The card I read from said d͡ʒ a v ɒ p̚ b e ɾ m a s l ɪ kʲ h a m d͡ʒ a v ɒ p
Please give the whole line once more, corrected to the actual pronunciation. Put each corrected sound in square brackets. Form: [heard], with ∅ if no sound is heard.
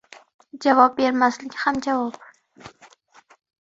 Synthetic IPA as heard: d͡ʒ a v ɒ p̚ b e ɾ m a s l ɪ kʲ h a m d͡ʒ a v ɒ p